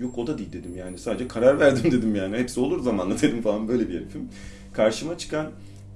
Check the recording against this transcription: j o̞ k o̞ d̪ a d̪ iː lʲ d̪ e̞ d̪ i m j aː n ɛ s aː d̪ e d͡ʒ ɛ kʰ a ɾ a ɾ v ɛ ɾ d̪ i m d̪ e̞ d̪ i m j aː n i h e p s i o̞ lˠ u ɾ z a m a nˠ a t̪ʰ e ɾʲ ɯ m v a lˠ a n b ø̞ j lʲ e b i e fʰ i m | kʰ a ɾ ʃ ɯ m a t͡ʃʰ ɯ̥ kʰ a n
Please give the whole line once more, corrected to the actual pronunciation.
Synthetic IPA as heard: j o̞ k o̞ d̪ a d̪ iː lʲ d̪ e̞ d̪ i m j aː n i s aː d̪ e d͡ʒ ɛ kʰ a ɾ a ɾ v æ ɾ d̪ i m d̪ e̞ d̪ i m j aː n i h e p s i o̞ lˠ u ɾ z a m a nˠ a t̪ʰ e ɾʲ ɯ m f a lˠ a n b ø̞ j lʲ e b i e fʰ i m | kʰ a ɾ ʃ ɯ m a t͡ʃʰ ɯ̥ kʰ a n